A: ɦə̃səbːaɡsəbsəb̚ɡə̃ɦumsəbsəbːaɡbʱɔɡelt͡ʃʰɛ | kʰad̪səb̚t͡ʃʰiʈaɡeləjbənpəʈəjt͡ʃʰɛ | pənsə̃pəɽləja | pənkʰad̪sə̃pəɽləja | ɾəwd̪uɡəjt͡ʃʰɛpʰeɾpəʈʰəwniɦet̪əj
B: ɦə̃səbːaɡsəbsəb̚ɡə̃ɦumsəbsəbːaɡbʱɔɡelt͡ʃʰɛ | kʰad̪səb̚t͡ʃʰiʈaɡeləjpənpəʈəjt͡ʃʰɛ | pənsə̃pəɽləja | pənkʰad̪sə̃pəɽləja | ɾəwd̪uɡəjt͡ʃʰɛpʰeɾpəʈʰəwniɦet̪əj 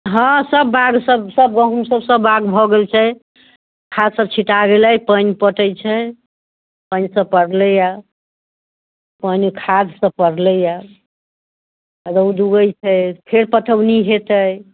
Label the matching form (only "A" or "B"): B